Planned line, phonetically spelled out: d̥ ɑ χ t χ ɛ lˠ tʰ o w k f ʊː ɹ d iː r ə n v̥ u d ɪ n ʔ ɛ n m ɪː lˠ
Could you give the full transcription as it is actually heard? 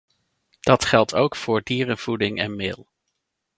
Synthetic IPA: d̥ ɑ t χ ɛ lˠ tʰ o w k f ʊː ɹ d iː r ə n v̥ u d ɪ ŋ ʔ ɛ n m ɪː lˠ